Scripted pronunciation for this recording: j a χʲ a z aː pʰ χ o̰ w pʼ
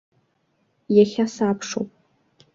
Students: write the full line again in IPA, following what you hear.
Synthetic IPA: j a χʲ a s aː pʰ ʂ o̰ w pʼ